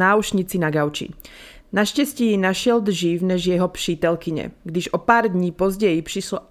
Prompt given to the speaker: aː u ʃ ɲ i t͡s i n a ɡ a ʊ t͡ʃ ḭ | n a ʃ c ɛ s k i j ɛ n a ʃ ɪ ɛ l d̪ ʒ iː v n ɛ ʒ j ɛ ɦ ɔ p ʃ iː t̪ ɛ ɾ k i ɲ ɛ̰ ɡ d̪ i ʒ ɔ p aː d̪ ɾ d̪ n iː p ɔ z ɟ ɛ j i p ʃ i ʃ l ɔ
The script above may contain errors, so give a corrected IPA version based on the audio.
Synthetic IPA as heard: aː u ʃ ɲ i t͡s i n a ɡ a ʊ t͡ʃ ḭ | n a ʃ c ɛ s c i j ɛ n a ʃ ɪ ɛ l d̪ ʒ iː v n ɛ ʒ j ɛ ɦ ɔ p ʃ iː t̪ ɛ l k i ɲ ɛ̰ ɡ d̪ i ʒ ɔ p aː ɾ d̪ ɲ iː p ɔ z ɟ ɛ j i p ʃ i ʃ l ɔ